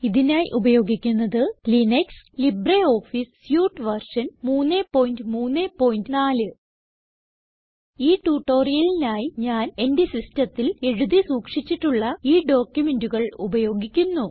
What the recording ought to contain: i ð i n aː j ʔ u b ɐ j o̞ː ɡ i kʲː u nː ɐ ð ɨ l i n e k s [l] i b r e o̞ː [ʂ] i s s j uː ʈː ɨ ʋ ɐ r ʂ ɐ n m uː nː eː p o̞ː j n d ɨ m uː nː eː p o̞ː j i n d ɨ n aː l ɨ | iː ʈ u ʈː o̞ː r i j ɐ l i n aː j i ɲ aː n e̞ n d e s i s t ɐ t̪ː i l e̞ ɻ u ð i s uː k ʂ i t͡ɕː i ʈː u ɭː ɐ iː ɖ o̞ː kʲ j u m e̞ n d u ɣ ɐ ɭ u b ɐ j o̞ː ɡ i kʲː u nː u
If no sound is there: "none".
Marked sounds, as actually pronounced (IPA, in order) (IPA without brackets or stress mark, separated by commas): l, f